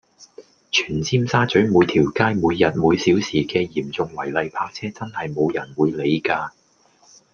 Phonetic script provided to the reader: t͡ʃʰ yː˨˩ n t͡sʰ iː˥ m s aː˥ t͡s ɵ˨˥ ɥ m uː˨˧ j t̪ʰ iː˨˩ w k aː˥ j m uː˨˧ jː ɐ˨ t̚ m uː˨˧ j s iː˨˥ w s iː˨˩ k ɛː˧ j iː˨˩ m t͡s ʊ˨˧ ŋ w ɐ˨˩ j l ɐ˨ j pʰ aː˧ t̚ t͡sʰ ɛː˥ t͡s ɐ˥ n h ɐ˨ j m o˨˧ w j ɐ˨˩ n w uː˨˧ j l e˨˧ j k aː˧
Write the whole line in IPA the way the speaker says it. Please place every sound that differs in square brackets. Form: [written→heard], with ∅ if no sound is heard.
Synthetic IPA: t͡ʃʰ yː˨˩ n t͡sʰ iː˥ m s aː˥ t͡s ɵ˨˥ ɥ m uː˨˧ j t̪ʰ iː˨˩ w k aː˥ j m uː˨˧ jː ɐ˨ t̚ m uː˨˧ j s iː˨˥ w s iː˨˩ k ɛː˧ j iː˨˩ m t͡s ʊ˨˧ ŋ w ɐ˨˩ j l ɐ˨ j pʰ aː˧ [t̚→k̚] t͡sʰ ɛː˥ t͡s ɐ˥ n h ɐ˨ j m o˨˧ w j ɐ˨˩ n w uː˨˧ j l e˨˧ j k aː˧

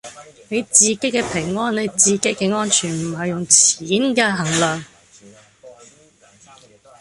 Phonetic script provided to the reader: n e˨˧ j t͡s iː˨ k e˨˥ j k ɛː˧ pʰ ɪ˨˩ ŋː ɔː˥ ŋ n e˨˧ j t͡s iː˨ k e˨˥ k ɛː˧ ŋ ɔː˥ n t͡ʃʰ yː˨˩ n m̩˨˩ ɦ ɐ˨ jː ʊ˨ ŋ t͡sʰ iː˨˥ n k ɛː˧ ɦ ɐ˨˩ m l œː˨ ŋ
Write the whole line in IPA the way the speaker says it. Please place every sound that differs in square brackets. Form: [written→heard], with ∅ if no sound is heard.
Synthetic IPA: n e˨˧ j t͡s iː˨ k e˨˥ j k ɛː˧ pʰ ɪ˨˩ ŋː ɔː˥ [ŋ→n] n e˨˧ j t͡s iː˨ k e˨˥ k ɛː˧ ŋ ɔː˥ n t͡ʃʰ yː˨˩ n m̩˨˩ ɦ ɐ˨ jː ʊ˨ ŋ t͡sʰ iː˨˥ n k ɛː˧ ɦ ɐ˨˩ [m→ŋ] l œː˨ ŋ

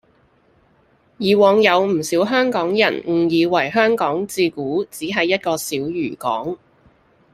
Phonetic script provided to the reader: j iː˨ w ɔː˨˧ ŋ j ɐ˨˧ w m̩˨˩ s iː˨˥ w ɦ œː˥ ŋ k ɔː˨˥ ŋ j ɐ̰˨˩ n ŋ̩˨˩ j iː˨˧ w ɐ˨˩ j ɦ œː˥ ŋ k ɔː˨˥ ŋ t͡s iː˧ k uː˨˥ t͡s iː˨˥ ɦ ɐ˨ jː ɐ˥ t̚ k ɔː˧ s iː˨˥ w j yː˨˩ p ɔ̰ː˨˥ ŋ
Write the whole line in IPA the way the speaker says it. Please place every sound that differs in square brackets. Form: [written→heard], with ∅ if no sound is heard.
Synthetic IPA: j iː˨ w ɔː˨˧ ŋ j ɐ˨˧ w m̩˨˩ s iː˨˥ w ɦ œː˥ ŋ k ɔː˨˥ ŋ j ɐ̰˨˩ n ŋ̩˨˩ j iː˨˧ w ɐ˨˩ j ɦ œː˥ ŋ k ɔː˨˥ ŋ t͡s iː˧ k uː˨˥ t͡s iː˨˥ ɦ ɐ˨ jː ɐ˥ t̚ k ɔː˧ s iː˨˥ w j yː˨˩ [p→k] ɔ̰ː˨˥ ŋ

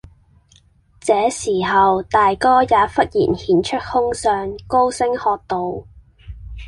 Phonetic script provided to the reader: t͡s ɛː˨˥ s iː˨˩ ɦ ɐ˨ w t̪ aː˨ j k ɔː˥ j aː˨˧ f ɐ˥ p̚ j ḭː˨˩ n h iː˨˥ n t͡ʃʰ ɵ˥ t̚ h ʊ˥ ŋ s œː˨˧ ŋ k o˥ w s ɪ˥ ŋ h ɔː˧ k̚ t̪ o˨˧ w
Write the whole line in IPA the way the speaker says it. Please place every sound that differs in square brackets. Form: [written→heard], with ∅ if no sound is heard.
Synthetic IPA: t͡s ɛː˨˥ s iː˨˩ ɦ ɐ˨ w t̪ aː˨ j k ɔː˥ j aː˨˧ f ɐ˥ [p̚→t̚] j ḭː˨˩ n h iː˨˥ n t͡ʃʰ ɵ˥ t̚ h ʊ˥ ŋ s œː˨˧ ŋ k o˥ w s ɪ˥ ŋ h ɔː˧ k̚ t̪ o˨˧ w

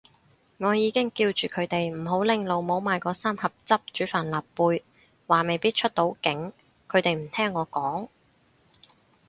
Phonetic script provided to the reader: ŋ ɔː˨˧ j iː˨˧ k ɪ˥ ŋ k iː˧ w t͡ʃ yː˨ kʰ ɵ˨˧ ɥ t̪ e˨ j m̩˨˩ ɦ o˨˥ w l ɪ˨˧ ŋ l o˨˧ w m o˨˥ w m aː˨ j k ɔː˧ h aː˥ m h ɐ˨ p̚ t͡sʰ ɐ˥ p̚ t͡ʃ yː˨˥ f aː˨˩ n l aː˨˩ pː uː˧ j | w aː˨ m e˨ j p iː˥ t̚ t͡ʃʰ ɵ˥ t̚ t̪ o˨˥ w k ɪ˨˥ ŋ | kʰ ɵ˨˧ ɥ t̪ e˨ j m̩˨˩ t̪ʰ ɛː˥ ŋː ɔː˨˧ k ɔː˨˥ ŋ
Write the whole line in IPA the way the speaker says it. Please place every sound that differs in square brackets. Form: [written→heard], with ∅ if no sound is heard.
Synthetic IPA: ŋ ɔː˨˧ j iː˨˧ k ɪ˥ ŋ k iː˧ w t͡ʃ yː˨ kʰ ɵ˨˧ ɥ t̪ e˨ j m̩˨˩ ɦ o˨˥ w l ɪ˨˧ ŋ l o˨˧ w m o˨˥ w m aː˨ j k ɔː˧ [h→s] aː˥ m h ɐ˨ p̚ [t͡sʰ→t͡s] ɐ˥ p̚ t͡ʃ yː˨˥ f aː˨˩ n l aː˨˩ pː uː˧ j | w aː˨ m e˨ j p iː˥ t̚ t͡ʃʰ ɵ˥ t̚ t̪ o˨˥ w k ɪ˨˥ ŋ | kʰ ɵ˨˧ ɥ t̪ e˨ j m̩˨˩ t̪ʰ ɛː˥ ŋː ɔː˨˧ k ɔː˨˥ ŋ

